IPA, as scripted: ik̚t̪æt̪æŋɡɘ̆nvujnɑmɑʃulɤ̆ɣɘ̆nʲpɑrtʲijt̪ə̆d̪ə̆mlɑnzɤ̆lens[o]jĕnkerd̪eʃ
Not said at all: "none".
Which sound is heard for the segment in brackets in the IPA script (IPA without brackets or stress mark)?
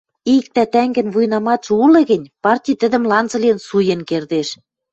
u